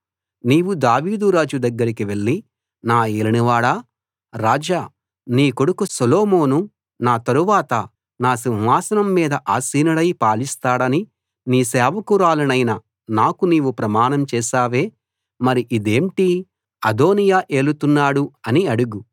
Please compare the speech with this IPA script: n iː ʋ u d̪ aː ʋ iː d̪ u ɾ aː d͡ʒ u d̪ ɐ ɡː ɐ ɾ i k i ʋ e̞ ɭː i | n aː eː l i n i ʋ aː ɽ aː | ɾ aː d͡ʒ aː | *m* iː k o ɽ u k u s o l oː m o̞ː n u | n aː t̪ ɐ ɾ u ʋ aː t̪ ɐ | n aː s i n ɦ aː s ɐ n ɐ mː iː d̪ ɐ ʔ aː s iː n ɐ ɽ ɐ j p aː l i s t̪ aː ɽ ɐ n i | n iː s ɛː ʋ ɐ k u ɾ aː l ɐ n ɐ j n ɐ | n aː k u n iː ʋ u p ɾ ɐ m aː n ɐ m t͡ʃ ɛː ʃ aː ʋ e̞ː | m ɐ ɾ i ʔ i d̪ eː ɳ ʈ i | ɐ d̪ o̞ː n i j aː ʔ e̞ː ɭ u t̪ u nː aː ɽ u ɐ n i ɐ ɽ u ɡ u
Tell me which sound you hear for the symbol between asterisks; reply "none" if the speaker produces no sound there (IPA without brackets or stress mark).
n